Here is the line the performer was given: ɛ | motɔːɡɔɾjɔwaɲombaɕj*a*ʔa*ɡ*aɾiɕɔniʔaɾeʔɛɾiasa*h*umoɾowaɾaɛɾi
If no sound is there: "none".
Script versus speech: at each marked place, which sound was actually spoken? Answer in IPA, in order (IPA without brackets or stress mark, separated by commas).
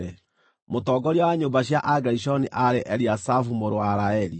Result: a, ɡ, f